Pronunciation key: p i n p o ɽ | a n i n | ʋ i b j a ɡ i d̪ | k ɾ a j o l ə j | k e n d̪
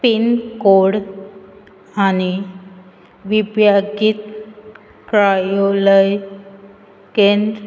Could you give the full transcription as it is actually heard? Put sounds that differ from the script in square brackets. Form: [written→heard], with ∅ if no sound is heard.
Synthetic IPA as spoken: p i n [p→k] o ɽ | a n i [n→∅] | ʋ i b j a ɡ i [d̪→t̪] | k ɾ a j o l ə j | k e n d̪